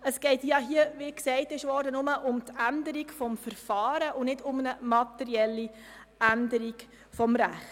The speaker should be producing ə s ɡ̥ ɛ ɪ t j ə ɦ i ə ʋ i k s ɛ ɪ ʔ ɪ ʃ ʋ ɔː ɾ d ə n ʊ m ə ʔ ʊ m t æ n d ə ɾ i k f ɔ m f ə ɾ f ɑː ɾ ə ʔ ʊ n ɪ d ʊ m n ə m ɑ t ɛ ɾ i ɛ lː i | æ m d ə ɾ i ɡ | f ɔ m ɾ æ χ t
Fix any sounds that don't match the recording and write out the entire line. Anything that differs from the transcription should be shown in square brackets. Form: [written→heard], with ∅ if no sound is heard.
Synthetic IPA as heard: ə s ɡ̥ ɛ ɪ t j [ə→ɑ] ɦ i ə ʋ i k s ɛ ɪ [ʔ→t] ɪ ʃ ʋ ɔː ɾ d ə n ʊ m ə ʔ ʊ m t æ n d ə ɾ i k f ɔ m f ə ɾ f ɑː ɾ ə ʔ ʊ n ɪ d ʊ m n ə m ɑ t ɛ ɾ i ɛ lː i | æ [m→n] d ə ɾ i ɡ | f ɔ m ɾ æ χ t